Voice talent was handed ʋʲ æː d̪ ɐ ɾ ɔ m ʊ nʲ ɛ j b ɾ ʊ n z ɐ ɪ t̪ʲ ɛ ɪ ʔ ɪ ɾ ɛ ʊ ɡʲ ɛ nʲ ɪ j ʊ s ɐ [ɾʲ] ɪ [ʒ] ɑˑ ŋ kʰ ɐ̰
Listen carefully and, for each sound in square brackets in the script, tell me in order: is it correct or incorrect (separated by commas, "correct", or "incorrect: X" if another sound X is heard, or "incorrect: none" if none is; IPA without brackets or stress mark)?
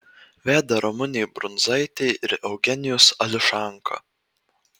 incorrect: lʲ, incorrect: ʃ